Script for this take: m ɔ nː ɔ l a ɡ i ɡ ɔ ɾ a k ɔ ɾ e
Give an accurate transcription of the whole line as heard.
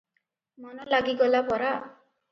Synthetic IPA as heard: m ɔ n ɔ l a ɡ i ɡ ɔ l a p ɔ ɾ a